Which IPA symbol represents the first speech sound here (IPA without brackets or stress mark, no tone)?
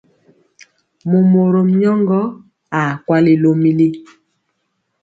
m